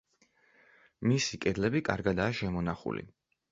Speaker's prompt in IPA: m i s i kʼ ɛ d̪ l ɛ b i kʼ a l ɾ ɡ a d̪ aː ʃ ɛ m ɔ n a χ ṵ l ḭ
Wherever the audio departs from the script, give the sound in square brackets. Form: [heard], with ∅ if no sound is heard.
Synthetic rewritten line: m i s i kʼ ɛ d̪ l ɛ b i kʼ a [∅] ɾ ɡ a d̪ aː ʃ ɛ m ɔ n a χ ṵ l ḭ